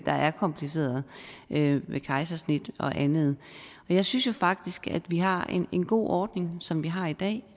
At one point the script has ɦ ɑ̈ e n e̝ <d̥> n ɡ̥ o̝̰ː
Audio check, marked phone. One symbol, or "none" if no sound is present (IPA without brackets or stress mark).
none